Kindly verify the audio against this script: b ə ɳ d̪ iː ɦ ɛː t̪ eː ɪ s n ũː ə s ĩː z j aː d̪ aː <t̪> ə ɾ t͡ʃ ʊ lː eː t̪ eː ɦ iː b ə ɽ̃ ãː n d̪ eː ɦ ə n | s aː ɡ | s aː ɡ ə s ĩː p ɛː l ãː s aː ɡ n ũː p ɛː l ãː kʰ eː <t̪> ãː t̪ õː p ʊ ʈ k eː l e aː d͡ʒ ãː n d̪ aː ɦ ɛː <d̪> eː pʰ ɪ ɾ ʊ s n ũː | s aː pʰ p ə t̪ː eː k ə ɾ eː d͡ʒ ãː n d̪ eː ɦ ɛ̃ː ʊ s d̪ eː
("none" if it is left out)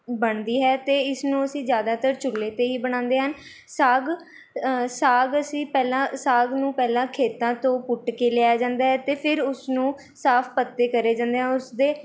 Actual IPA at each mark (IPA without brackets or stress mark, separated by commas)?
t̪, t̪, t̪